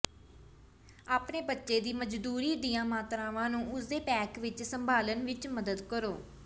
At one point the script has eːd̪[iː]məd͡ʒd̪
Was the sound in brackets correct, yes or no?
yes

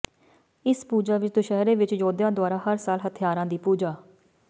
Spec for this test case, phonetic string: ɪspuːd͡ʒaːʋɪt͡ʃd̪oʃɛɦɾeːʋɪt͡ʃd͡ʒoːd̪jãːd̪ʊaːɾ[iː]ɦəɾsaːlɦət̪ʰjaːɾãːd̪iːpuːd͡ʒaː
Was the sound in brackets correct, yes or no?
no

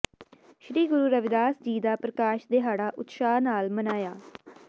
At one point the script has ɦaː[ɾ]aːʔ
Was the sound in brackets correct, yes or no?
no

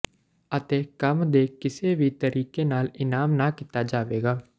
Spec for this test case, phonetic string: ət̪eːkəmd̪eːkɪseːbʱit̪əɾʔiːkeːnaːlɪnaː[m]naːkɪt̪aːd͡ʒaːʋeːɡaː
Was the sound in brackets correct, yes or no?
yes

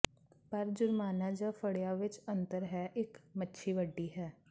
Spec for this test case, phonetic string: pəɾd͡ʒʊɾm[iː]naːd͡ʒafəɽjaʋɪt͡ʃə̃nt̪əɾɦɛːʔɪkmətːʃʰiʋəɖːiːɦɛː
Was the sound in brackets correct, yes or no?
no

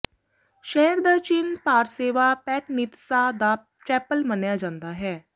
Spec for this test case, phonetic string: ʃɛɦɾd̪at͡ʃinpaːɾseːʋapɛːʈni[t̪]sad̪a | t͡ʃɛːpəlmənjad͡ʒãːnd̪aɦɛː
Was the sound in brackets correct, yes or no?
yes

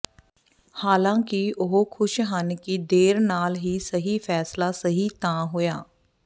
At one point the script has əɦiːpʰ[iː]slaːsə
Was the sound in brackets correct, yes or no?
no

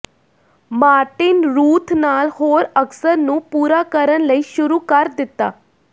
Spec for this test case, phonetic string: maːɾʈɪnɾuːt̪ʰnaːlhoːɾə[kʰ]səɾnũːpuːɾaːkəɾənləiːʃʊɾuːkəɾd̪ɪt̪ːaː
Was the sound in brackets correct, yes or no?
no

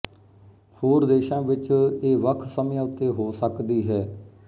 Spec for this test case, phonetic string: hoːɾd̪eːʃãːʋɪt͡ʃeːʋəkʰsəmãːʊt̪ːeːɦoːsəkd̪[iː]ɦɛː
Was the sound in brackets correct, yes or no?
yes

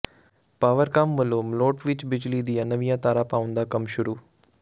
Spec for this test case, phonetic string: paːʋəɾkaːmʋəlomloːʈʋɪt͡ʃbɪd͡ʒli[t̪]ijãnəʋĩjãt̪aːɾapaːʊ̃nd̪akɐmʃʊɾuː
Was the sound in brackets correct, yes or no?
no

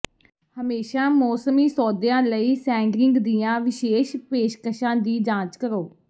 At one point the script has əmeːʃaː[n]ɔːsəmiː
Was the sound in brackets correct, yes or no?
no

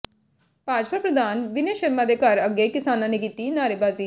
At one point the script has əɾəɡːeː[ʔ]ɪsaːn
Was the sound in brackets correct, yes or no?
no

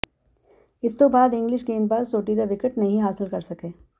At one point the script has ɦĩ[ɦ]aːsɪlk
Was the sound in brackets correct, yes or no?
yes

